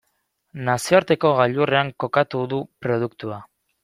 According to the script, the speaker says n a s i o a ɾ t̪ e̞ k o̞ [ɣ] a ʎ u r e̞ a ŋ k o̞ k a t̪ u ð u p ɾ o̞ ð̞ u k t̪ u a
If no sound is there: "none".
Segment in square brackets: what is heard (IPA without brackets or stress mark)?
ɣ